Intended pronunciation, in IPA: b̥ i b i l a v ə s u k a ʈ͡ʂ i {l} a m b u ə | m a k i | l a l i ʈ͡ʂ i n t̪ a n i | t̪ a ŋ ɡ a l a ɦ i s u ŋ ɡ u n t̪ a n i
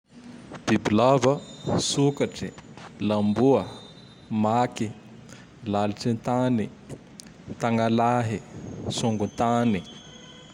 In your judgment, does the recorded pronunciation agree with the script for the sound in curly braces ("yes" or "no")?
yes